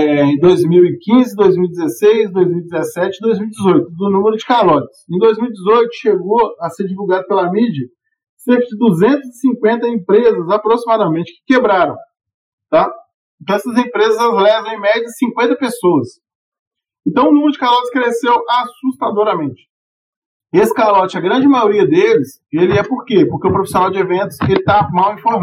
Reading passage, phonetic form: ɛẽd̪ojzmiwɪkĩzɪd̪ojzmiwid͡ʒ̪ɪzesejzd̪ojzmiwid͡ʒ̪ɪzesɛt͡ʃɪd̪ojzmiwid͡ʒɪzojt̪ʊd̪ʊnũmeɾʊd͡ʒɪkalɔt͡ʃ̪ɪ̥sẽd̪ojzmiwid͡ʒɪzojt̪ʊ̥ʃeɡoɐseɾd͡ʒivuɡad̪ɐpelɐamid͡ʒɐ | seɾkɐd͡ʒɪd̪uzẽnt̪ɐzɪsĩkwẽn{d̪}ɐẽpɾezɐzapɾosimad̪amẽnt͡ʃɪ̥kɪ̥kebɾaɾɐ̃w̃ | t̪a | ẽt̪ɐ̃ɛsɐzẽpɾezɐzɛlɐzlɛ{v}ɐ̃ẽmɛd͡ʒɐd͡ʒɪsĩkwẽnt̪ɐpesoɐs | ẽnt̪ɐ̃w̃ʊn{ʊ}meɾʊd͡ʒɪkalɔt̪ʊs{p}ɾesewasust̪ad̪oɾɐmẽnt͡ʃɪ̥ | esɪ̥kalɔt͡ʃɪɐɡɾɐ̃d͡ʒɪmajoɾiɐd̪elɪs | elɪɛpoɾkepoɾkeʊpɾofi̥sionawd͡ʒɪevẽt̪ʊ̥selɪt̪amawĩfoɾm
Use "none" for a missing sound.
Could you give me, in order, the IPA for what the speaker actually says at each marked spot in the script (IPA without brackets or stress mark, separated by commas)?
t̪, v, u, k